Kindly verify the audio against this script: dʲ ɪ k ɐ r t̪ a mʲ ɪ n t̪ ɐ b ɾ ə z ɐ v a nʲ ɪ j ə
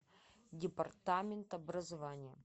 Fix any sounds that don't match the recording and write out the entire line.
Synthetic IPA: dʲ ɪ p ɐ r t̪ a mʲ ɪ n t̪ ɐ b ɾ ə z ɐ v a nʲ ɪ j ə